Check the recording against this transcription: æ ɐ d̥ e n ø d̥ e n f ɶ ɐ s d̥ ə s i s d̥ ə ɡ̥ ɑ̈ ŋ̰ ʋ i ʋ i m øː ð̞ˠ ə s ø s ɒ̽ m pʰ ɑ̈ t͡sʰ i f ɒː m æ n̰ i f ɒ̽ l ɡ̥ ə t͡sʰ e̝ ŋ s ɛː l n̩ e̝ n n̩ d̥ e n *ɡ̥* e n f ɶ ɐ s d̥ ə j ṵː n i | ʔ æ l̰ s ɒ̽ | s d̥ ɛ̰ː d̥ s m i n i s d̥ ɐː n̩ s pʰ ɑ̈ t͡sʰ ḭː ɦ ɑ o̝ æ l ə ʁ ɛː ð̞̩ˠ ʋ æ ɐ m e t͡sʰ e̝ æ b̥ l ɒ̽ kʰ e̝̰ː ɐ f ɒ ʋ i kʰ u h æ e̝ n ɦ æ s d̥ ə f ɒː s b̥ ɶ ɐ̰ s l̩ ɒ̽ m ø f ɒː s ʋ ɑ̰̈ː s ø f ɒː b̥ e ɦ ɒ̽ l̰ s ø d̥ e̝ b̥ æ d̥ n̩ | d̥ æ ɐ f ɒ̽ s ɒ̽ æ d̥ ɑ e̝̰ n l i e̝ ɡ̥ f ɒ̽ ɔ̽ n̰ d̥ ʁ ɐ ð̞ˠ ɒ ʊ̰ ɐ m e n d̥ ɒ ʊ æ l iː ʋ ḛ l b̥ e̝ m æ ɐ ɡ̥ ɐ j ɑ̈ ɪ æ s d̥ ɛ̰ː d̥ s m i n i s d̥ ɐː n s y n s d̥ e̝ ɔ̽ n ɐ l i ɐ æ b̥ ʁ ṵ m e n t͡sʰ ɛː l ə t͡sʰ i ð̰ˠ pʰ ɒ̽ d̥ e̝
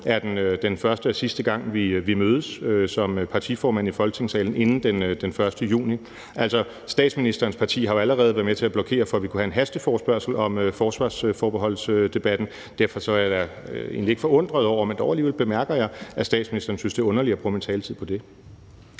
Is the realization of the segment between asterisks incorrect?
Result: yes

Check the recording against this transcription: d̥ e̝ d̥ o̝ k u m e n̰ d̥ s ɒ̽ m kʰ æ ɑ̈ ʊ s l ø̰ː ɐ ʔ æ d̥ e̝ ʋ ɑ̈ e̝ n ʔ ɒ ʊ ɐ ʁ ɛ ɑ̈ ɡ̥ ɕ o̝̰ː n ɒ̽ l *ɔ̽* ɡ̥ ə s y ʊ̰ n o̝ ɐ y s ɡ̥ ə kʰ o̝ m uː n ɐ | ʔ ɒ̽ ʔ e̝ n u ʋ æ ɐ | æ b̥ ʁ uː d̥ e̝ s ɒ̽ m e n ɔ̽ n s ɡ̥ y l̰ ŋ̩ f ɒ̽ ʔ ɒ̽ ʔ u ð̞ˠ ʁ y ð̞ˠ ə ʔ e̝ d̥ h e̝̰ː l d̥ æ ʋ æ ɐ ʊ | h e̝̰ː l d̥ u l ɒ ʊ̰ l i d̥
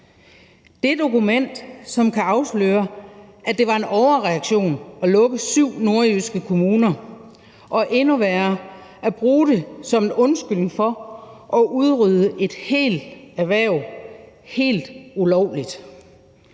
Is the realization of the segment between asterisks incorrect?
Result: no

